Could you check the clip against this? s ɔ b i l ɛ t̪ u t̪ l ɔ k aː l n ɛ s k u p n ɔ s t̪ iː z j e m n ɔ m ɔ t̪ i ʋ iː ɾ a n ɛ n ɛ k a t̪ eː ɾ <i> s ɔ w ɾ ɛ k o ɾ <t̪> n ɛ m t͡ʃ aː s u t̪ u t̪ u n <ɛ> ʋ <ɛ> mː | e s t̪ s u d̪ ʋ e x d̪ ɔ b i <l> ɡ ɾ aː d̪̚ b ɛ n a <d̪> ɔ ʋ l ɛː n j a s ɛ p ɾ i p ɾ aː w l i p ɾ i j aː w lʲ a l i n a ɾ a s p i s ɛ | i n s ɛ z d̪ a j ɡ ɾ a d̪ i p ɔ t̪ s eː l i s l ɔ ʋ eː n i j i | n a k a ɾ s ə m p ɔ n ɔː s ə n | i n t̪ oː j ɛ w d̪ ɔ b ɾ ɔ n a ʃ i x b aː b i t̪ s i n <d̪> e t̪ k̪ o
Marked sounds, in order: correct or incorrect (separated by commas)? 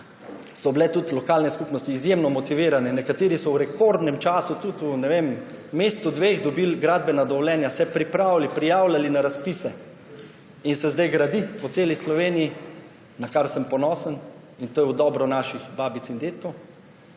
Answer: correct, incorrect, correct, incorrect, correct, correct, correct